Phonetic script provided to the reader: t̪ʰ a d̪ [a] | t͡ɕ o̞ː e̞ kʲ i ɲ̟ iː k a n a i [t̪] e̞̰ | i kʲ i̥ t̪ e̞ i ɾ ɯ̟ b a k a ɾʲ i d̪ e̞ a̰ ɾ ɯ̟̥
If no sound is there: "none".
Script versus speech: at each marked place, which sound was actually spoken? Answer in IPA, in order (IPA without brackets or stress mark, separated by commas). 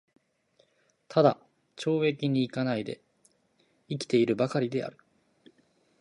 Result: a, d̪